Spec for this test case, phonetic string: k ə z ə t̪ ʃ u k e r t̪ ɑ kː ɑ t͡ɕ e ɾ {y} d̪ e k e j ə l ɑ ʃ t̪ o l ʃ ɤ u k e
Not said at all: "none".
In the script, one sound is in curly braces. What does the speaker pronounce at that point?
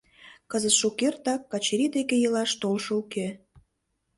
i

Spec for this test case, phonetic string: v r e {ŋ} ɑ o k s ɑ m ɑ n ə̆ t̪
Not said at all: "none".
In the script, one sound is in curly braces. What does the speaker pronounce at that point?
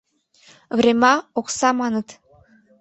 m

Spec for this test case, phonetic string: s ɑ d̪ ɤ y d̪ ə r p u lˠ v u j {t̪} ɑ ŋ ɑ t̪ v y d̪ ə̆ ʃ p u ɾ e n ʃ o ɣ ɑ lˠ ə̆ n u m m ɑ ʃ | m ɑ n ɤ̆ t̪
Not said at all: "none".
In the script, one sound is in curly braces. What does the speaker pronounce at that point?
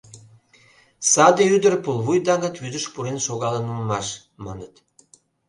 d̪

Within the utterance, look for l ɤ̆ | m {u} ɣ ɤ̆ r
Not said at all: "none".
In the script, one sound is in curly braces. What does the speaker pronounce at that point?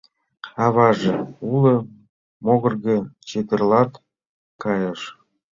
o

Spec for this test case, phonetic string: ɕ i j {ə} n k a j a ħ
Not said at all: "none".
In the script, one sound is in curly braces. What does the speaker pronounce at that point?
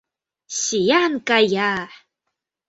a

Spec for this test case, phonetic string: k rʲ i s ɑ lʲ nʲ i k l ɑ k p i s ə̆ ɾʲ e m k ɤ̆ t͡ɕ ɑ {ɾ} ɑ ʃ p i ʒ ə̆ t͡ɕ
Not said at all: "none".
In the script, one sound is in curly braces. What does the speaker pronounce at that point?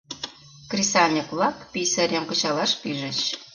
l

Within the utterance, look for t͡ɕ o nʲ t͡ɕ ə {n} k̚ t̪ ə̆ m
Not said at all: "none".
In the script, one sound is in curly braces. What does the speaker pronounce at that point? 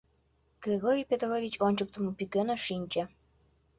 none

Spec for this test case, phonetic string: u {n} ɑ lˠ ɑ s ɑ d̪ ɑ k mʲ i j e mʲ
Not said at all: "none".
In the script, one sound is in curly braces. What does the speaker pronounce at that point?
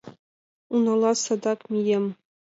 n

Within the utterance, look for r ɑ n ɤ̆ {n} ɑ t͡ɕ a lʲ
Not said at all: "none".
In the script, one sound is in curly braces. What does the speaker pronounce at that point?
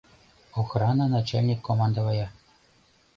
n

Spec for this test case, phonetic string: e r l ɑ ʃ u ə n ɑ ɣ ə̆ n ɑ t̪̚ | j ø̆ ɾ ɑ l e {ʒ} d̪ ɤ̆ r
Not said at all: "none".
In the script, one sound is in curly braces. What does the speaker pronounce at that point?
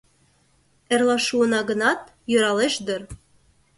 ʃ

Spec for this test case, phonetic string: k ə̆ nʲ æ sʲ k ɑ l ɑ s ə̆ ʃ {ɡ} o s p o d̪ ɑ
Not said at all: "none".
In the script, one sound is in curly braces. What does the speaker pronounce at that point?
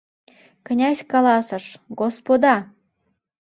ɡ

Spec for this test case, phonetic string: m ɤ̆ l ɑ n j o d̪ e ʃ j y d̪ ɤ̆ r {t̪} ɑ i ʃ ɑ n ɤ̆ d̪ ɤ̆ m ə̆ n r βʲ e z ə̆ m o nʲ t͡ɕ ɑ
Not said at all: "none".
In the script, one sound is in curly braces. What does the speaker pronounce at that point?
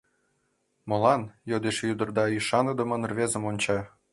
d̪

